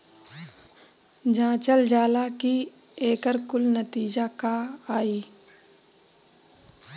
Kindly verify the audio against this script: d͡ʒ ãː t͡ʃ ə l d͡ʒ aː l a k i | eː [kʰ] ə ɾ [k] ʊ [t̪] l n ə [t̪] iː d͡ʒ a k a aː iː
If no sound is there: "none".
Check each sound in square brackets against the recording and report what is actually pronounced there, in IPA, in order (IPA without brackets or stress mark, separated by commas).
k, k, none, t̪